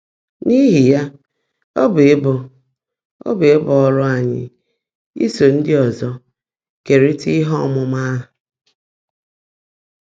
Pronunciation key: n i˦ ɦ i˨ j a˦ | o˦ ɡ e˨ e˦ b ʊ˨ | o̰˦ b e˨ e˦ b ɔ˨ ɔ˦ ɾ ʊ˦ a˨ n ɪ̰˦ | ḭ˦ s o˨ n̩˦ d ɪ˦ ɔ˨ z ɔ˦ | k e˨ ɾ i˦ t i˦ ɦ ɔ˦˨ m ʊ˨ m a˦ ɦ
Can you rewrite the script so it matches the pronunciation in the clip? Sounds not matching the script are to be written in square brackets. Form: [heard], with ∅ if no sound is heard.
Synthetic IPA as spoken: n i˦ ɦ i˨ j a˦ | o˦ [b] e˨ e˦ b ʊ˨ | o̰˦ b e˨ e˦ b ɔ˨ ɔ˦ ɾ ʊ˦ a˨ [ɲ] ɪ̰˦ | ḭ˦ s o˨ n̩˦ d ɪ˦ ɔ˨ z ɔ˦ | k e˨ ɾ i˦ t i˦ ɦ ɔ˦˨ m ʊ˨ m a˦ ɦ